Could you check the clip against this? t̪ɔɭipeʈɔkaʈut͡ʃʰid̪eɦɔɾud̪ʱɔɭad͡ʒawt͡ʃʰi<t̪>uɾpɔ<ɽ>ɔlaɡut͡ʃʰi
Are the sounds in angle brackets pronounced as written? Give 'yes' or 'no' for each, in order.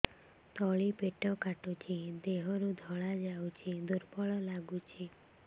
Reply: no, no

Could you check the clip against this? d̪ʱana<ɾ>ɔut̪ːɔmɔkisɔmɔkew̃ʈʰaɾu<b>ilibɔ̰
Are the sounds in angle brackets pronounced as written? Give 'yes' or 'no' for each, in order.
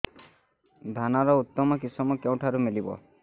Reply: yes, no

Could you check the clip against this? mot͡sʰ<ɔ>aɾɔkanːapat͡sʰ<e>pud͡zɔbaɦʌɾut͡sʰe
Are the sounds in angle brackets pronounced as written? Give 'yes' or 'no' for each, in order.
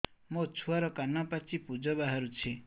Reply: no, no

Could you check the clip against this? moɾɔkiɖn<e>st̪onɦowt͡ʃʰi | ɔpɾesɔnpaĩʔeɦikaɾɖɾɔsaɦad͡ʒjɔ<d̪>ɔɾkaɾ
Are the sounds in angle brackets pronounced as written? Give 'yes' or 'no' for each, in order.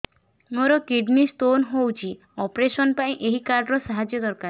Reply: no, yes

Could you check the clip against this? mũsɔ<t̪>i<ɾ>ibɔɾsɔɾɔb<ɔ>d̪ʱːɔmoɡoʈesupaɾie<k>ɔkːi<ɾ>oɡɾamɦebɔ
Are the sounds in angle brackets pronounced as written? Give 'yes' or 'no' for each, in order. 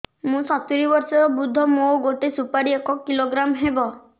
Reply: yes, yes, no, yes, no

